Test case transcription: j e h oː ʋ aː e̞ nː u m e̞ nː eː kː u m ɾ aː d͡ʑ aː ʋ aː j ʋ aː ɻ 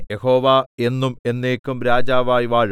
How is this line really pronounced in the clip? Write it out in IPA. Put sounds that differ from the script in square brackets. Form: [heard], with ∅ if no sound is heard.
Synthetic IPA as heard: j e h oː ʋ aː e̞ nː u m e̞ nː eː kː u m ɾ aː d͡ʑ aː ʋ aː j ʋ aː ɻ